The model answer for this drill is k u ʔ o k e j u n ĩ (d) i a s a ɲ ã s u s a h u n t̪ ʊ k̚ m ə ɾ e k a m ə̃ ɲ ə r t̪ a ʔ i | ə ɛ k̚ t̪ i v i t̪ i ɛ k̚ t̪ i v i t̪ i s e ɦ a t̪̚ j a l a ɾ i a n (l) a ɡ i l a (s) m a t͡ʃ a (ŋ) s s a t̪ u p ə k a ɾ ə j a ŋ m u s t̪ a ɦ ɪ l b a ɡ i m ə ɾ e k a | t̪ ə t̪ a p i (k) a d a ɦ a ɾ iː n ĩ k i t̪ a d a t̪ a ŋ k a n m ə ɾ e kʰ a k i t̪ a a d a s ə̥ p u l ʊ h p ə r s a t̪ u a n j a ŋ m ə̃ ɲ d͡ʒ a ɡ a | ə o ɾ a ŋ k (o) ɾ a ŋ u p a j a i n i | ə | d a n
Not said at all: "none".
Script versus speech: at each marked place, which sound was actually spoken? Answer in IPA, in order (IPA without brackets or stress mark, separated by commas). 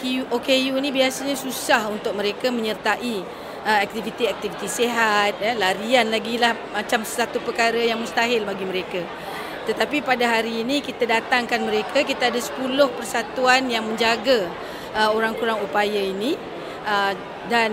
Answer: b, l, h, m, p, u